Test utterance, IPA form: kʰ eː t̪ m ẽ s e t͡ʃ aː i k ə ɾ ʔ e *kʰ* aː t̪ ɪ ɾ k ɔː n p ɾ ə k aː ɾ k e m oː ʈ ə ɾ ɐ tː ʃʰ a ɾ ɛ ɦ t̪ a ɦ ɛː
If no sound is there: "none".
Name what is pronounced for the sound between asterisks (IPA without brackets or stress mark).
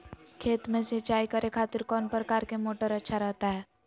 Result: kʰ